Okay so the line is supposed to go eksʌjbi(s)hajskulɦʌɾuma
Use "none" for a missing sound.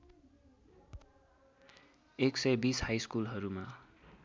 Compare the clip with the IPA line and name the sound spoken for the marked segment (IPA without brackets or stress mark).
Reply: s